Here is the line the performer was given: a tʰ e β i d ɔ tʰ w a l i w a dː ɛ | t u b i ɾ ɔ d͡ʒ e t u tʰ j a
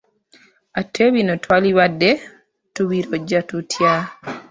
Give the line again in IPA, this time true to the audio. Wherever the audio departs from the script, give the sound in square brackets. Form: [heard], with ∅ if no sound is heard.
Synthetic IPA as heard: a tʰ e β i [n] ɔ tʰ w a l i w a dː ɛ | t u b i ɾ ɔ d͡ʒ [a] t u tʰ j a